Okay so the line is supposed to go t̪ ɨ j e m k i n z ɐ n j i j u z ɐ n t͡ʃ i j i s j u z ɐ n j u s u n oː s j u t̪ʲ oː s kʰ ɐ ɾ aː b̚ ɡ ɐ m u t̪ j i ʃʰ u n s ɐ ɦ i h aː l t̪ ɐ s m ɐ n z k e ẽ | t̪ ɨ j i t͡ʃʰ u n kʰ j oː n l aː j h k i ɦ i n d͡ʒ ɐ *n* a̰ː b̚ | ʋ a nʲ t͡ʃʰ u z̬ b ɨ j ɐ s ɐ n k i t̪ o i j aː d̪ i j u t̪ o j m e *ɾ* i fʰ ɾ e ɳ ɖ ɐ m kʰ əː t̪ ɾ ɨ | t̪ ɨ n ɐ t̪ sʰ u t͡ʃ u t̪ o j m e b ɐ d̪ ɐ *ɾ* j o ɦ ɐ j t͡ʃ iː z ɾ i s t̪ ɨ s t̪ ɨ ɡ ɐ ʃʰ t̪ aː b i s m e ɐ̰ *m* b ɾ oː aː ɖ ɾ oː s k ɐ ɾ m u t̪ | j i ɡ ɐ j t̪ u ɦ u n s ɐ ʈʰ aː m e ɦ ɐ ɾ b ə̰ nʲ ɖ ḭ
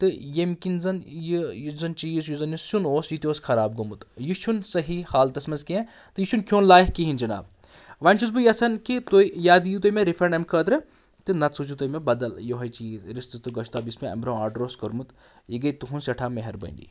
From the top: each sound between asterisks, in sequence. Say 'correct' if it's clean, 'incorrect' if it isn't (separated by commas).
correct, correct, incorrect, correct